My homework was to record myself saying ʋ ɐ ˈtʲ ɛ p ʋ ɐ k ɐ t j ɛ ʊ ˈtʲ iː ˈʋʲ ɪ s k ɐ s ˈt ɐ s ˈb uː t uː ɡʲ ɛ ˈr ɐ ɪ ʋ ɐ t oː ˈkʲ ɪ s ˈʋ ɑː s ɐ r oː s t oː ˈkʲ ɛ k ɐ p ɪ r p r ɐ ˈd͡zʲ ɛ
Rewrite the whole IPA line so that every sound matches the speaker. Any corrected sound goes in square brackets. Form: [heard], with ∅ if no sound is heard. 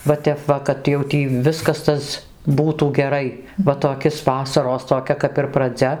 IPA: ʋ ɐ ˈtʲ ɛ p ʋ ɐ k ɐ t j ɛ ʊ ˈtʲ iː ˈʋʲ ɪ s k ɐ s ˈt ɐ s ˈb uː t uː ɡʲ ɛ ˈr ɐ ɪ ʋ ɐ t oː ˈkʲ ɪ s ˈʋ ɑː s ɐ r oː s t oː ˈkʲ ɛ k ɐ p ɪ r p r ɐ ˈd͡zʲ ɛ

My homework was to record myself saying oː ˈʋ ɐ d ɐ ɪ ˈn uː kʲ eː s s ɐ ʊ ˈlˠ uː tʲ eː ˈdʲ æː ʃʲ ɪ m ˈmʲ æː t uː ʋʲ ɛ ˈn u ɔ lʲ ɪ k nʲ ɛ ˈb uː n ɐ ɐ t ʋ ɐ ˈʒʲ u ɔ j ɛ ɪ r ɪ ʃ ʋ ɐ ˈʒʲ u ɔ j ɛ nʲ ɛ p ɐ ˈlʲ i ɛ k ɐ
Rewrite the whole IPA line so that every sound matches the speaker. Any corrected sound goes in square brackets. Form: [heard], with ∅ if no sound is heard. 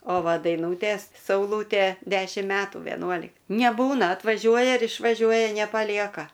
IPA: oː ˈʋ ɐ d ɐ ɪ ˈn uː [tʲ] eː s s ɐ ʊ ˈlˠ uː tʲ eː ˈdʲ æː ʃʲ ɪ m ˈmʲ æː t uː ʋʲ ɛ ˈn u ɔ lʲ ɪ k nʲ ɛ ˈb uː n ɐ ɐ t ʋ ɐ ˈʒʲ u ɔ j ɛ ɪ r ɪ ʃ ʋ ɐ ˈʒʲ u ɔ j ɛ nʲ ɛ p ɐ ˈlʲ i ɛ k ɐ

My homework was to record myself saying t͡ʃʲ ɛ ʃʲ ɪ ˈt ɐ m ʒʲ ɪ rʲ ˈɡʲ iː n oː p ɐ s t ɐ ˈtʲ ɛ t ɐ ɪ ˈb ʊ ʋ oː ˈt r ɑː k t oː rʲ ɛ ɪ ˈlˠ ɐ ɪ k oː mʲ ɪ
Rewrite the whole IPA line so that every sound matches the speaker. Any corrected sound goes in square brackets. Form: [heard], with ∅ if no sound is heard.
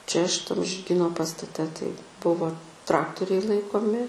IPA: t͡ʃʲ ɛ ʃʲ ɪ ˈt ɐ m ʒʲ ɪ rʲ ˈɡʲ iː n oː p ɐ s t ɐ ˈtʲ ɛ t ɐ ɪ ˈb ʊ ʋ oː ˈt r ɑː k t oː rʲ ɛ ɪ ˈlˠ ɐ ɪ k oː mʲ ɪ

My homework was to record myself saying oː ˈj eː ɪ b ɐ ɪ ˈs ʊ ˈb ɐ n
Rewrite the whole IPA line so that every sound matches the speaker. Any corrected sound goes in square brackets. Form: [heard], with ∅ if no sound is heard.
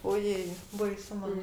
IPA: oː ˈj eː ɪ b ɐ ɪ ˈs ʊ [ˈm] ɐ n

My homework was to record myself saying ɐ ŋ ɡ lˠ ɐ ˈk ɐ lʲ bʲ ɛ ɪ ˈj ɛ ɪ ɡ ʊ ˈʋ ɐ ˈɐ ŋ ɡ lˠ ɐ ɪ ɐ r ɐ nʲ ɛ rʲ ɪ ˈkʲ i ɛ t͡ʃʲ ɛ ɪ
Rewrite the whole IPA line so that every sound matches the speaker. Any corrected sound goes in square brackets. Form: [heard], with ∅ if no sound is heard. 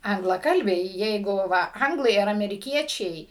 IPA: ɐ ŋ ɡ lˠ ɐ ˈk ɐ lʲ bʲ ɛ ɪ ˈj ɛ ɪ ɡ ʊ ˈʋ ɐ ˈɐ ŋ ɡ lˠ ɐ ɪ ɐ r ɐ [mʲ] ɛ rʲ ɪ ˈkʲ i ɛ t͡ʃʲ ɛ ɪ

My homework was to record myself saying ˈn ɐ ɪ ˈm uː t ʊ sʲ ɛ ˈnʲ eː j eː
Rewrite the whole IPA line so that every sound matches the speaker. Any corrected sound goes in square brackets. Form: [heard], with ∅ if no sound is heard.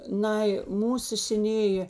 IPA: ˈn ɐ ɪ ˈm uː [s] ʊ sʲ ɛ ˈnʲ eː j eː

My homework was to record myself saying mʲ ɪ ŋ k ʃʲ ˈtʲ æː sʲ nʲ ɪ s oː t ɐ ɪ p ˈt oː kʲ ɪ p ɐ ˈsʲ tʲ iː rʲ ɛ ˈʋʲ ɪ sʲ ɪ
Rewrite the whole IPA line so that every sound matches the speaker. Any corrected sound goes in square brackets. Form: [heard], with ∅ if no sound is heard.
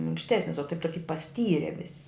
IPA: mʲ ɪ ŋ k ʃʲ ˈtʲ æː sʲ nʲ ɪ s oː t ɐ ɪ p ˈt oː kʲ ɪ p ɐ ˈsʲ tʲ iː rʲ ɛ ˈʋʲ ɪ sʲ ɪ

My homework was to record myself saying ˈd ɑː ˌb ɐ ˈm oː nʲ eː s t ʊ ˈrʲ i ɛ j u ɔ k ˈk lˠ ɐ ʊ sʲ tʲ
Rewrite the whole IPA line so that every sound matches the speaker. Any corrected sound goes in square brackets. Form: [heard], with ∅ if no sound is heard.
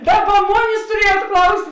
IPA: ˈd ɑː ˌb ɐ ˈm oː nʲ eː s t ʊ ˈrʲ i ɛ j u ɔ [t] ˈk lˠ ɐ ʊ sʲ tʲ

